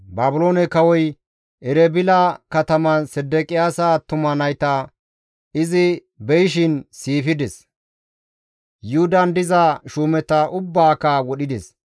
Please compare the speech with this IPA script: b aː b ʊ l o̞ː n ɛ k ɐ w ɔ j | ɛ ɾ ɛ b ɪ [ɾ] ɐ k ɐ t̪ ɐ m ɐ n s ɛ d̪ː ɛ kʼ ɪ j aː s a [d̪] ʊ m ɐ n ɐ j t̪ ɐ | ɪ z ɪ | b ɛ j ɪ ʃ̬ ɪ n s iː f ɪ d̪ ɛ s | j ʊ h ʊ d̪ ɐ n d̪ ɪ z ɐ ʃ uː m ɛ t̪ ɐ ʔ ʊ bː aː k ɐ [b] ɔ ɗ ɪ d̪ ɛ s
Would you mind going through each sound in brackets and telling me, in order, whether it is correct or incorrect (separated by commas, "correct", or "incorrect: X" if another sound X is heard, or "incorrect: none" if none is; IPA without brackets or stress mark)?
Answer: incorrect: l, incorrect: t̪, incorrect: w